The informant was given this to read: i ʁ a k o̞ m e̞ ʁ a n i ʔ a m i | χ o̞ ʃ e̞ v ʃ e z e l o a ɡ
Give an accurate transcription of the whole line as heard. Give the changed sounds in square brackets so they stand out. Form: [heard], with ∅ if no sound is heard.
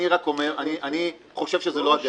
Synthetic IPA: i ʁ a k o̞ m e̞ ʁ a n i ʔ a [n] i | χ o̞ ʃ e̞ v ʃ e z e l o a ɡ